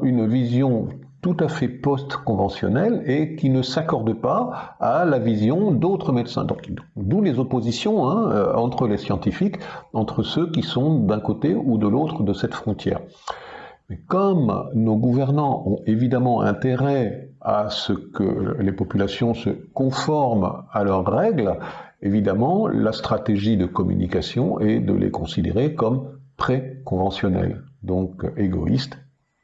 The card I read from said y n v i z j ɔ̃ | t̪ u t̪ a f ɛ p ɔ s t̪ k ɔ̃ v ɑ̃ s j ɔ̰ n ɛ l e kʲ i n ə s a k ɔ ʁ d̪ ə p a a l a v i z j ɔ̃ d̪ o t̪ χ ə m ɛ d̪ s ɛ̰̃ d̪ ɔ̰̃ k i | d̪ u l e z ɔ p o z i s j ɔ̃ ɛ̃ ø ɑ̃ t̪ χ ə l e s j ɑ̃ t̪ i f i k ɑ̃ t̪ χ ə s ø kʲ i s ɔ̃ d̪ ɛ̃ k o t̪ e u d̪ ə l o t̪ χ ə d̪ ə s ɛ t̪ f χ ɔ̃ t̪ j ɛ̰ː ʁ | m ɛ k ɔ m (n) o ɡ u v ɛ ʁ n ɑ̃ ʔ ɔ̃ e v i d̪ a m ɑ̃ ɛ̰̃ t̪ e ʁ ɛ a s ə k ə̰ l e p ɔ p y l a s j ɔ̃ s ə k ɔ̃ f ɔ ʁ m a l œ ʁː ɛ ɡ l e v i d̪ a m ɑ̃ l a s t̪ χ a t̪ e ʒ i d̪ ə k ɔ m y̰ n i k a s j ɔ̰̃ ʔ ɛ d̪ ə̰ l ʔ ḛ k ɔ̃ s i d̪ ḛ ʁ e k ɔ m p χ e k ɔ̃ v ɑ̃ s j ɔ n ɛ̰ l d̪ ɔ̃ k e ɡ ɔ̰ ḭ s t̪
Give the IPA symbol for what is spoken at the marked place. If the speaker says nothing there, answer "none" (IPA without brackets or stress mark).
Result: n